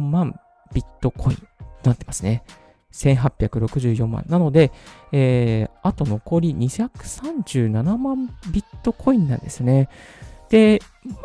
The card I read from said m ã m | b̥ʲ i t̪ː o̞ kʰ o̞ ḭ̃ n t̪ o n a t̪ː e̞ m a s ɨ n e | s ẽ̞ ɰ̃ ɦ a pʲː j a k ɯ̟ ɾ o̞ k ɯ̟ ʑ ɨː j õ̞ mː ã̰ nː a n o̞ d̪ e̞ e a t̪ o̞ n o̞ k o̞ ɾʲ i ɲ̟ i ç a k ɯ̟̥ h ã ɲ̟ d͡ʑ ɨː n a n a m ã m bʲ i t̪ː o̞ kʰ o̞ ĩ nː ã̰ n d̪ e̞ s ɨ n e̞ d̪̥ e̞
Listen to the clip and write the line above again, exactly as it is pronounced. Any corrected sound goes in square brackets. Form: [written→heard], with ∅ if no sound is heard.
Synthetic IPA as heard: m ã m | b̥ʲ i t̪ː o̞ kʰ o̞ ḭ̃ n t̪ o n a t̪ː e̞ m a s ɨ n e | s ẽ̞ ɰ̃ ɦ a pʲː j a k ɯ̟ ɾ o̞ k ɯ̟ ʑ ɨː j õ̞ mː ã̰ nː a n o̞ d̪ e̞ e a t̪ o̞ n o̞ k o̞ ɾʲ i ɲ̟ i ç a k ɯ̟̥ [h→s] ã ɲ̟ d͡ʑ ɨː n a n a m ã m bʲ i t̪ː o̞ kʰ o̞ ĩ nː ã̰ n d̪ e̞ s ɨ n e̞ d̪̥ e̞